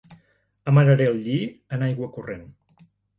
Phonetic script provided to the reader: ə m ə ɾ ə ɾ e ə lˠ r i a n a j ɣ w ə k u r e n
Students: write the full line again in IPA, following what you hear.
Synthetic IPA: ə m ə ɾ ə ɾ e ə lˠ ʎ i ə n a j ɣ w ə k u r e n